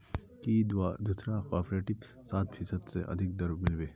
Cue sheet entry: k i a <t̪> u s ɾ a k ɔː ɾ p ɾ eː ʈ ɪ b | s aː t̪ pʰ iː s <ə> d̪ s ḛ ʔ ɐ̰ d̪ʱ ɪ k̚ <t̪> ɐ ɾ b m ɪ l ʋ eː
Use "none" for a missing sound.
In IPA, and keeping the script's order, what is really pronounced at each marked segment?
d̪, ə, d̪

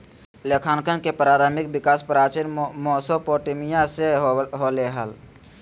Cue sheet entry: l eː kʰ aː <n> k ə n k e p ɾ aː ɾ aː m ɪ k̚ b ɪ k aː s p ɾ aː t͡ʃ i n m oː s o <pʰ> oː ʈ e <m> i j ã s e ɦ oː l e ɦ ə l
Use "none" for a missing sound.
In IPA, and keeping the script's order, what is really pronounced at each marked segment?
n, p, m

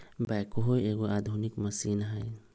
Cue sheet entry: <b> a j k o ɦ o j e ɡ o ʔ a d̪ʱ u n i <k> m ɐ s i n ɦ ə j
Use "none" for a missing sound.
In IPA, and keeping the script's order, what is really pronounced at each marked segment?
b, k

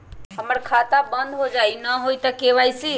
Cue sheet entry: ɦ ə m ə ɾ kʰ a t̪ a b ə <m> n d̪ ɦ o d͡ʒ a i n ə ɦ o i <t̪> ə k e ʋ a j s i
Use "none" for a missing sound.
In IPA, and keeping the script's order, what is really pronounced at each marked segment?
none, t̪

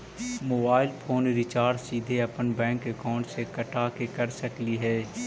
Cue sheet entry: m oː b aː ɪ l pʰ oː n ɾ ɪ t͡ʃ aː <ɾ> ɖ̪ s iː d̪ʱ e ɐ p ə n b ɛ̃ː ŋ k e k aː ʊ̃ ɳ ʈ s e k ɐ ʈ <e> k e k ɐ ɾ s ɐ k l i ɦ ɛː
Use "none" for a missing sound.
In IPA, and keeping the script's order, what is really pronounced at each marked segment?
ɾ, a

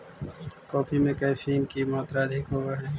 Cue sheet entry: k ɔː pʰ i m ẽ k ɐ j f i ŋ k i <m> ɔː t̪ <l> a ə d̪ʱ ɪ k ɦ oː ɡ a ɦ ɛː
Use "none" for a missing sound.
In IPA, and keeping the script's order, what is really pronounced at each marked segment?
m, ɾ

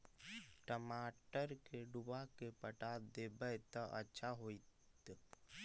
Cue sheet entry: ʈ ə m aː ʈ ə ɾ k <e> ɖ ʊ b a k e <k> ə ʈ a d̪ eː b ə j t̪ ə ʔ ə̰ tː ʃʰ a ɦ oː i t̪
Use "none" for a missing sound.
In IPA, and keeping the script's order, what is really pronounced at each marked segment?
e, p

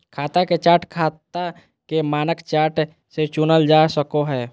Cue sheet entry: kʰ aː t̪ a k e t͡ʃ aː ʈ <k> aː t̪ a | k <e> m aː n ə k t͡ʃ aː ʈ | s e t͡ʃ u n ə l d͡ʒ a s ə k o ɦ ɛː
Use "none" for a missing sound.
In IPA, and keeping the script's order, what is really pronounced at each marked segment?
kʰ, e

